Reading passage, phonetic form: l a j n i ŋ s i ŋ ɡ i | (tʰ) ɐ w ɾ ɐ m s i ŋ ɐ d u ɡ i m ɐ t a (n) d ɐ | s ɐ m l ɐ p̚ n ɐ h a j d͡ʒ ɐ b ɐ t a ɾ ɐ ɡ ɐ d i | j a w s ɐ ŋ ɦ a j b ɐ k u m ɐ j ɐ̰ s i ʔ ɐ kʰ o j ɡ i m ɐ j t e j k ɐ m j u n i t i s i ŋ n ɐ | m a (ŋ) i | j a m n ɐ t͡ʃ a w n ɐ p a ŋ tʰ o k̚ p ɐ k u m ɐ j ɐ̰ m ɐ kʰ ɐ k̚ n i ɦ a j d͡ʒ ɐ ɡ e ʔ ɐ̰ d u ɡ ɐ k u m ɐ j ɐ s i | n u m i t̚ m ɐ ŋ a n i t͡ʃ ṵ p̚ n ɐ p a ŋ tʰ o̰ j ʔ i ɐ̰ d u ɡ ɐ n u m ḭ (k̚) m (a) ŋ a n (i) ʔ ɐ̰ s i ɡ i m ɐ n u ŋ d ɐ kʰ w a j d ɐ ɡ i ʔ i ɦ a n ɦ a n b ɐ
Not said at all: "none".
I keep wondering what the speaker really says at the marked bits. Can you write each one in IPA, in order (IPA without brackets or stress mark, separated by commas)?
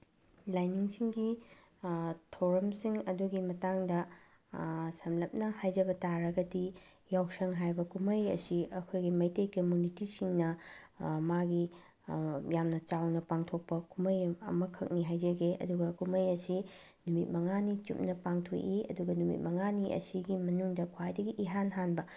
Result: tʰ, ŋ, ɡ, t̚, ɐ, i